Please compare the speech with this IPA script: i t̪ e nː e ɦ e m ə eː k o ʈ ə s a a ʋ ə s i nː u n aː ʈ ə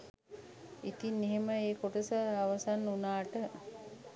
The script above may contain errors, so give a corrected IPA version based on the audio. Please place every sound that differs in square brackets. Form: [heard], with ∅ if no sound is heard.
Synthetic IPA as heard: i t̪ [i] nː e ɦ e m ə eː k o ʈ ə s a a ʋ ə s [a] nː u n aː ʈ ə

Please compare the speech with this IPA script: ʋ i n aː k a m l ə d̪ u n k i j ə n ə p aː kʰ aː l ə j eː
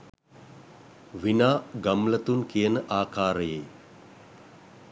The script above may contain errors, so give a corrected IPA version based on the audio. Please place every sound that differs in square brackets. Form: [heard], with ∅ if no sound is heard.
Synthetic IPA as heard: ʋ i n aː [ɡ] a m l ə [t̪] u n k i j ə n ə [ʔ] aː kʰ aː [ɾ] ə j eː

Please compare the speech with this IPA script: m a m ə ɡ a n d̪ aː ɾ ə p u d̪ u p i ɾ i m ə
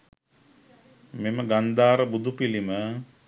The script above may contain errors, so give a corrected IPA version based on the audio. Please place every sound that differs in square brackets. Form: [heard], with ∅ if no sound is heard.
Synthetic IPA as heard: m [e] m ə ɡ a n d̪ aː ɾ ə [b] u d̪ u p i [l] i m ə

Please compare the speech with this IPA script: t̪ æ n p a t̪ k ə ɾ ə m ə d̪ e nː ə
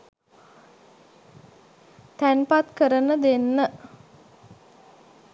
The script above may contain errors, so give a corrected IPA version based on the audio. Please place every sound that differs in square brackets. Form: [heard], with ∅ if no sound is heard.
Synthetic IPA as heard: t̪ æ n p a t̪ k ə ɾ ə [n] ə d̪ e nː ə

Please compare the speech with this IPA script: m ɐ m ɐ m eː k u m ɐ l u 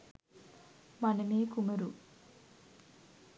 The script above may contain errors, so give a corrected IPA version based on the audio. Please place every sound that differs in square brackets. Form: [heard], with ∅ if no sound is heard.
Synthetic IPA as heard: m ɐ [n] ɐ m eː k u m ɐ [ɾ] u

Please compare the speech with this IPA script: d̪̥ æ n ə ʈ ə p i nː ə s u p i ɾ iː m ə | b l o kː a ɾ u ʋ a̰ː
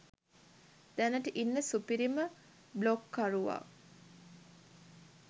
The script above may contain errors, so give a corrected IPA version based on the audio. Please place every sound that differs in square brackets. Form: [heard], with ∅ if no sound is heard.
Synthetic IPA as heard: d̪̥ æ n ə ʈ ə [ʔ] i nː ə s u p i ɾ [i] m ə | b l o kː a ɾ u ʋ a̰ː

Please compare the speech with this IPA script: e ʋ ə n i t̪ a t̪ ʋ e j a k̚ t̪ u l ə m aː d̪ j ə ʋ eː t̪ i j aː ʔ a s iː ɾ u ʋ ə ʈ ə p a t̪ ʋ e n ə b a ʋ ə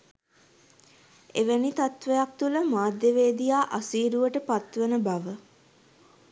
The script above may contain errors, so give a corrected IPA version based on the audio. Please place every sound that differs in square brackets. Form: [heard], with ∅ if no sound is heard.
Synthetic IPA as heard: e ʋ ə n i t̪ a t̪ ʋ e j a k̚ t̪ u l ə m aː d̪ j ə ʋ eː [d̪] i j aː ʔ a s iː ɾ u ʋ ə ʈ ə p a t̪ ʋ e n ə b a ʋ ə

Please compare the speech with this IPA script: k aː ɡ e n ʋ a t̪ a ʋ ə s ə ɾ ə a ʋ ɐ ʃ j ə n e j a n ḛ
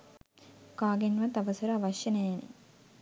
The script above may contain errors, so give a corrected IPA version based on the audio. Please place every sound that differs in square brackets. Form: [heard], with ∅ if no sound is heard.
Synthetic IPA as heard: k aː ɡ e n ʋ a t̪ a ʋ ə s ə ɾ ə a ʋ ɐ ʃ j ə n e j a n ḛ

